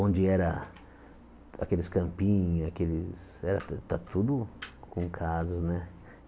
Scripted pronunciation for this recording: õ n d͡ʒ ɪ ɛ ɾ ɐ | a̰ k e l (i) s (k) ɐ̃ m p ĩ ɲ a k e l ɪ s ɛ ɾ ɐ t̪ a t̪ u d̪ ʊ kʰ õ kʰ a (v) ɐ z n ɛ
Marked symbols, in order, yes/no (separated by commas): no, yes, no